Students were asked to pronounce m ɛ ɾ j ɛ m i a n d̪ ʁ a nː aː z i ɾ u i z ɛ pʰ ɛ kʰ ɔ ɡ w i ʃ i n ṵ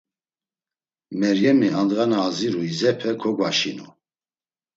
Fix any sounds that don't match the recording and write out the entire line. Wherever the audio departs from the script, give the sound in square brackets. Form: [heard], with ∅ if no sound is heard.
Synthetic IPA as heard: m ɛ ɾ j ɛ m i a n d̪ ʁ a [n] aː z i ɾ u i z ɛ pʰ ɛ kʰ ɔ ɡ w [a] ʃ i n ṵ